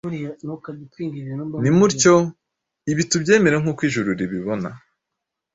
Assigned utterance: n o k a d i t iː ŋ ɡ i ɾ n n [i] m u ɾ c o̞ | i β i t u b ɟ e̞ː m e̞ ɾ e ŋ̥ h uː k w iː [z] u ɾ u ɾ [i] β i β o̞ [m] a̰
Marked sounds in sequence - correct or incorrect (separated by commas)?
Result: correct, incorrect, correct, incorrect